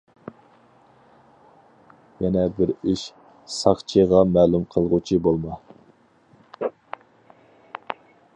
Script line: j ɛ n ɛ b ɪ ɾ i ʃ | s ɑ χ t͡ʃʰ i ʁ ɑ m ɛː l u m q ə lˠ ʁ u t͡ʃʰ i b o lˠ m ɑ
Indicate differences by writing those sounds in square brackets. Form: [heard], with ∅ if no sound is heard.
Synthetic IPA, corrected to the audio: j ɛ n ɛ b ɪ ɾ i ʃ | s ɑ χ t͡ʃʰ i ʁ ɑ m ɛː l u m [qʰ] ə lˠ ʁ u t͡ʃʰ i b o lˠ m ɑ

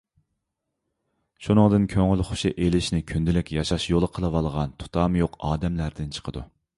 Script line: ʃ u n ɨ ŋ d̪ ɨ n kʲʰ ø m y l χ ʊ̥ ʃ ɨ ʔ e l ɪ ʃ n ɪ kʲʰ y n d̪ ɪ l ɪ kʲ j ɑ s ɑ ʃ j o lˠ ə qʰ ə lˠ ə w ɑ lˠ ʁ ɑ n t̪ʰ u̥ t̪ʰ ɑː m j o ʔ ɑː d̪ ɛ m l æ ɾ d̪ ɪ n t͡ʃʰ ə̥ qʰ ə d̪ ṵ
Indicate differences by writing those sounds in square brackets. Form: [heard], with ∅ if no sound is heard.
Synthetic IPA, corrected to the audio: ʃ u n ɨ ŋ d̪ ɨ n kʲʰ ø [ŋ] y l χ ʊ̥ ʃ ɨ ʔ e l ɪ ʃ n ɪ kʲʰ y n d̪ ɪ l ɪ kʲ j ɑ [ʃ] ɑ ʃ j o lˠ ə qʰ ə lˠ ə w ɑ lˠ ʁ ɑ n t̪ʰ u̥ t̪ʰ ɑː m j o [q] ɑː d̪ ɛ m l æ ɾ d̪ ɪ n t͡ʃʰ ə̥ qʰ ə d̪ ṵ

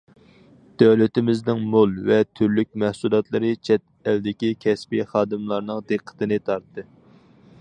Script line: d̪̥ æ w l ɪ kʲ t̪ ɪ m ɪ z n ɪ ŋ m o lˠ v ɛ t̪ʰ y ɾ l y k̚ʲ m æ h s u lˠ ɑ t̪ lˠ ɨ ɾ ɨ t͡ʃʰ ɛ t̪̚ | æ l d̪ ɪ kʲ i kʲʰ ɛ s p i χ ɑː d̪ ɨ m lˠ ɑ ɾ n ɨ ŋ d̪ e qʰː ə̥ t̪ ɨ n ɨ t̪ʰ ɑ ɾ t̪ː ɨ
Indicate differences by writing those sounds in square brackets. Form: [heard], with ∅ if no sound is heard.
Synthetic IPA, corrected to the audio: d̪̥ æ w l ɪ [∅] t̪ ɪ m ɪ z n ɪ ŋ m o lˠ v ɛ t̪ʰ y ɾ l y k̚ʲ m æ h s u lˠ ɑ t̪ lˠ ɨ ɾ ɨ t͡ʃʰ ɛ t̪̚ | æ l d̪ ɪ kʲ i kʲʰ ɛ s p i χ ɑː d̪ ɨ m lˠ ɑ ɾ n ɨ ŋ d̪ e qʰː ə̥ t̪ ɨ n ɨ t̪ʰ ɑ ɾ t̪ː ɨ

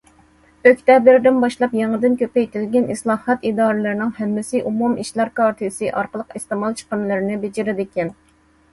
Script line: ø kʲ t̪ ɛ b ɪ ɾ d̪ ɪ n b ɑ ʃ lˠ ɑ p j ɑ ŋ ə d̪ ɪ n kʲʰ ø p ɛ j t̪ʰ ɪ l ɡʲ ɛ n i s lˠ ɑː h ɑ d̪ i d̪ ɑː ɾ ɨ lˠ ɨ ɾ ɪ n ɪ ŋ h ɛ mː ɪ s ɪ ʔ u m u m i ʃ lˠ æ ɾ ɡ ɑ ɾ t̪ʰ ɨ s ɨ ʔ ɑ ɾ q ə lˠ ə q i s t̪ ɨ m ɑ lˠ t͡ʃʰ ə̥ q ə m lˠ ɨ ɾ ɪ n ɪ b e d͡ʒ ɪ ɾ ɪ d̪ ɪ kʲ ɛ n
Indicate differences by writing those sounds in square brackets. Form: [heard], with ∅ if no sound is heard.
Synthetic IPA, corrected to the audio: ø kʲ t̪ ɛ b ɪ ɾ d̪ ɪ n b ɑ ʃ lˠ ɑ p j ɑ ŋ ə d̪ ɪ n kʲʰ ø p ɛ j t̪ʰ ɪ l ɡʲ ɛ n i s lˠ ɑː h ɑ [t̪] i d̪ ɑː ɾ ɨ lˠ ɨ ɾ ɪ n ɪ ŋ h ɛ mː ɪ s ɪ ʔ u m u m i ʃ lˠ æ ɾ [k] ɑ ɾ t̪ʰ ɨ s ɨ ʔ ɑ ɾ q ə lˠ ə q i s t̪ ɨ m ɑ lˠ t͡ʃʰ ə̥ q ə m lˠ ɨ ɾ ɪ n ɪ b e d͡ʒ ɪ ɾ ɪ d̪ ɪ kʲ ɛ n

